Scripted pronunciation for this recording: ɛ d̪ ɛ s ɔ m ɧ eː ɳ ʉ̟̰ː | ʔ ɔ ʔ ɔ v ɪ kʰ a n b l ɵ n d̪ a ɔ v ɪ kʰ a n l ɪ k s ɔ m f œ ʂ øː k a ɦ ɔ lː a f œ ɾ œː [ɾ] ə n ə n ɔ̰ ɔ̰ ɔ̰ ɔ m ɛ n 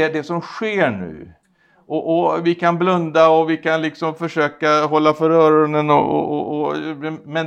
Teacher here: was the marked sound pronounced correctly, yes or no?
yes